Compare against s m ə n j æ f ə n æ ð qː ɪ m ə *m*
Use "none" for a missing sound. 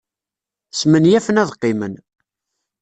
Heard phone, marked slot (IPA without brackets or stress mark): n